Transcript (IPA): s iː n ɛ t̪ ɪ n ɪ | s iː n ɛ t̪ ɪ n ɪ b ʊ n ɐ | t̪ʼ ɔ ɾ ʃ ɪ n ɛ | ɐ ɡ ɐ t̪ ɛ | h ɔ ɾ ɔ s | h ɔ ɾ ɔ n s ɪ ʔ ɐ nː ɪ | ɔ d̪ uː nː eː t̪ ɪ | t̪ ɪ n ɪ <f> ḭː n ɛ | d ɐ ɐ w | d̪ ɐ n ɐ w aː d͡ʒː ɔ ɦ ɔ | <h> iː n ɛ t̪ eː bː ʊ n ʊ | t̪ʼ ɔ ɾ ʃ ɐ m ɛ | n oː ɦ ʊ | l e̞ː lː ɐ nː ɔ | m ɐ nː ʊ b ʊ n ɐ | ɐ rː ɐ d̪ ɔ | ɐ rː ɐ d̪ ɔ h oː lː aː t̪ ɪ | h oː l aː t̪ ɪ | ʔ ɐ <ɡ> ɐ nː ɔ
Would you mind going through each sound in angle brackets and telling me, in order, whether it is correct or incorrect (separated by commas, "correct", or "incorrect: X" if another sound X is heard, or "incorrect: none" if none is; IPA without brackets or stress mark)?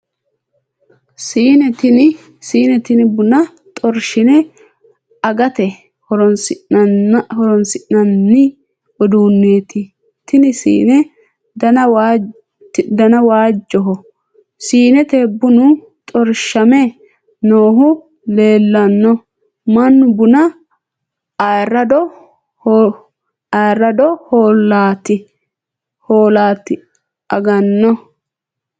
incorrect: s, incorrect: s, correct